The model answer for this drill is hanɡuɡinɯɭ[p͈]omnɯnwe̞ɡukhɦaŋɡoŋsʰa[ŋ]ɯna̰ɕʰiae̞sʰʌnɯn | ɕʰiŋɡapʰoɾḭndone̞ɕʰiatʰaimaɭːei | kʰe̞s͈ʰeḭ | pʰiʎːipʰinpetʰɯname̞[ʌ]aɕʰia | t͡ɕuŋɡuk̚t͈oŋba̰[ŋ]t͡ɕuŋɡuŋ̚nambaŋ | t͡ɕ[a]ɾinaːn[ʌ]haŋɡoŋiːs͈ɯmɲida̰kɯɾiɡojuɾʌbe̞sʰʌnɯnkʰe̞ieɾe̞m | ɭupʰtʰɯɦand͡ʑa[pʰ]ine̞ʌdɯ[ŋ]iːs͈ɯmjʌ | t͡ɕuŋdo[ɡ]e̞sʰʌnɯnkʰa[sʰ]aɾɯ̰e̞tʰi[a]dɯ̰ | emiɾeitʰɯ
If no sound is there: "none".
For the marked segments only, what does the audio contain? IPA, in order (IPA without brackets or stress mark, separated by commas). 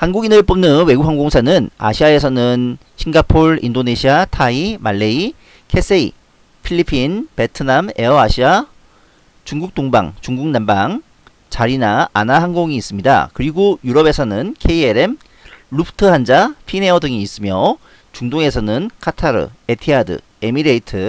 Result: p͈, n, ʌ, ŋ, a, a, pʰ, ŋ, ŋ, tʰ, a